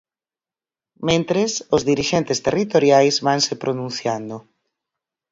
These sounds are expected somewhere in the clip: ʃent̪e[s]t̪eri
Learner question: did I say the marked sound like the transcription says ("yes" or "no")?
yes